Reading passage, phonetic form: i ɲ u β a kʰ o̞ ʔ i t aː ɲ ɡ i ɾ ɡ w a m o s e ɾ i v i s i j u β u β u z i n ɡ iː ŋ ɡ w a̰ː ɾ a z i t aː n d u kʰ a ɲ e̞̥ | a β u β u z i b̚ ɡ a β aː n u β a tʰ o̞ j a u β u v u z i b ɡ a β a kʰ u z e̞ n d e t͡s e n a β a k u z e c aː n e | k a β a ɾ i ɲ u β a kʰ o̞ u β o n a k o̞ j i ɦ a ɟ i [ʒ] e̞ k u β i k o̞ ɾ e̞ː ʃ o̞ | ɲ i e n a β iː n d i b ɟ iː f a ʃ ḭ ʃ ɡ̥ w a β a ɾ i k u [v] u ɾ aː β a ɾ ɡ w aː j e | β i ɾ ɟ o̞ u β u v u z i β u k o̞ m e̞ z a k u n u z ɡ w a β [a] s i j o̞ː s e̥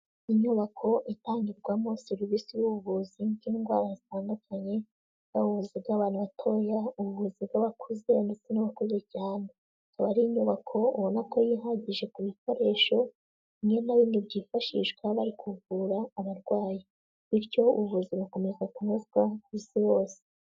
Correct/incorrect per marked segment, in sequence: correct, correct, incorrect

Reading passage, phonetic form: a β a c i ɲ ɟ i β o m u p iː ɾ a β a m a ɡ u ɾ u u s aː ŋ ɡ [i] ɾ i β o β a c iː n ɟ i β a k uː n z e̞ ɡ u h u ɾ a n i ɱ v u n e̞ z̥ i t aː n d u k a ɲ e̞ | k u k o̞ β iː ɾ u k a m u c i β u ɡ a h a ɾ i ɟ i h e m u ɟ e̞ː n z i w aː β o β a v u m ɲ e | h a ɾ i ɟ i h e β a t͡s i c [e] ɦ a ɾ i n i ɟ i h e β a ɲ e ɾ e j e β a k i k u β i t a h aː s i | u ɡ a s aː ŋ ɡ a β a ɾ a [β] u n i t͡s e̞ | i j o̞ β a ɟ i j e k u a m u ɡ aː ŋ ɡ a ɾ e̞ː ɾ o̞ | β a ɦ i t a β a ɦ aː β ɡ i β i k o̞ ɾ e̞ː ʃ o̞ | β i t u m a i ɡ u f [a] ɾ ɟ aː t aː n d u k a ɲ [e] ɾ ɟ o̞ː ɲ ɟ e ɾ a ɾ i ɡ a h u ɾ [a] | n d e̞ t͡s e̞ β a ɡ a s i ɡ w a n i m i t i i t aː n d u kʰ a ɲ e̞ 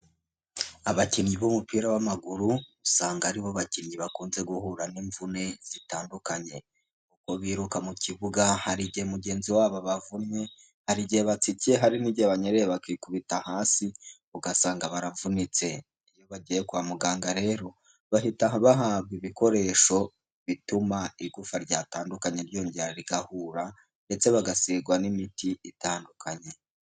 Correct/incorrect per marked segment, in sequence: incorrect, correct, incorrect, correct, correct, correct

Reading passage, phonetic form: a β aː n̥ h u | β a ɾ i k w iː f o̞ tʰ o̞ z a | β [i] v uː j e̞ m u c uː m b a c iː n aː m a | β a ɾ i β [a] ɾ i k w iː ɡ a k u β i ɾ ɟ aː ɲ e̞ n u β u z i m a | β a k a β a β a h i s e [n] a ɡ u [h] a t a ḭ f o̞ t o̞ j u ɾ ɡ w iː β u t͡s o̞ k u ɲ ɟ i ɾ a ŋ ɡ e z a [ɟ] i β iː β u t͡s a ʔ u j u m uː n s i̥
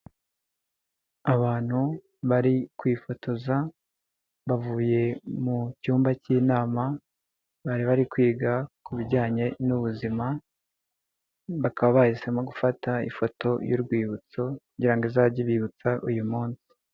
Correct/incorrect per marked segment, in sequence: incorrect, correct, incorrect, incorrect, correct

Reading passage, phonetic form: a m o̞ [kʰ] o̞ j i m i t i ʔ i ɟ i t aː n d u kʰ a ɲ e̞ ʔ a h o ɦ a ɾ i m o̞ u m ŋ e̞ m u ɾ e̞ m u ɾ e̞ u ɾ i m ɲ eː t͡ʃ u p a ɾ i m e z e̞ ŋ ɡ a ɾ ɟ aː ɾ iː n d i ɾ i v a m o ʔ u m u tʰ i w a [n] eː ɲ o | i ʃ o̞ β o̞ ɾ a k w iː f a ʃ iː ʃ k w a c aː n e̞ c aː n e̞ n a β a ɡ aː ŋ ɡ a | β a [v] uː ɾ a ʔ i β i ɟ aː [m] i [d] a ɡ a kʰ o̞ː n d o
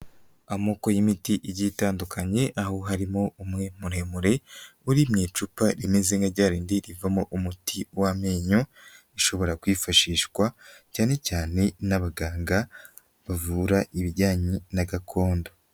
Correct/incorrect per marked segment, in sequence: incorrect, incorrect, correct, incorrect, incorrect

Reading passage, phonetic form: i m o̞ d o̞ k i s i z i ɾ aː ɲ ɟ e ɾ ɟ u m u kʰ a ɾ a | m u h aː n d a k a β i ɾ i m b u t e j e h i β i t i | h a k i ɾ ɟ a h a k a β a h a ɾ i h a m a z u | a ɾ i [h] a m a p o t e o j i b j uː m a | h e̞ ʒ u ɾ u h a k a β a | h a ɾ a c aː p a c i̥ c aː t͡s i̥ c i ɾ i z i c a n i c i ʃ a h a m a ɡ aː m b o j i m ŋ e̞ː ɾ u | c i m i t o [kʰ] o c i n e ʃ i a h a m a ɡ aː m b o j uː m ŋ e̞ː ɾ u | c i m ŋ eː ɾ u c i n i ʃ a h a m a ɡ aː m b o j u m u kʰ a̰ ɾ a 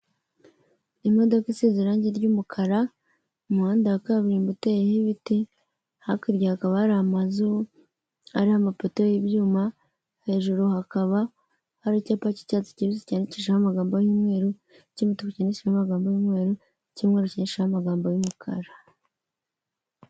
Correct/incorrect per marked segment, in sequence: correct, incorrect

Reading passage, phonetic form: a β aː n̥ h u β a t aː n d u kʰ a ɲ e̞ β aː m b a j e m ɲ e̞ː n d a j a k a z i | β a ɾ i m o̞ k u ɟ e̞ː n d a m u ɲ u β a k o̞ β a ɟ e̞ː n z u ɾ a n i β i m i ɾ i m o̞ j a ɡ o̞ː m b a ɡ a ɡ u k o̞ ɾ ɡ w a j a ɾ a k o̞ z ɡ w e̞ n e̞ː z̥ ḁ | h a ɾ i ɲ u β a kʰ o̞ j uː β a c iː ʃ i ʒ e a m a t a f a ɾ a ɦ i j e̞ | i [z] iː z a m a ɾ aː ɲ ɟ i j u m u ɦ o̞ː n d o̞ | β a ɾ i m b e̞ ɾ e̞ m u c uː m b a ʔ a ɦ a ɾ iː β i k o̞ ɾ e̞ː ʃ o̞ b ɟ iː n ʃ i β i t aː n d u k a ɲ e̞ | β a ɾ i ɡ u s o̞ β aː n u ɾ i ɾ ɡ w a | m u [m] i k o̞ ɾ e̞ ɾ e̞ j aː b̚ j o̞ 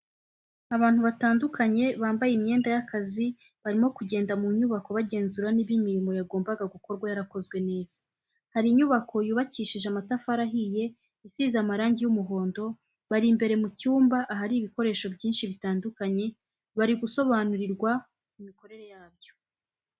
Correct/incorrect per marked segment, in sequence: incorrect, correct

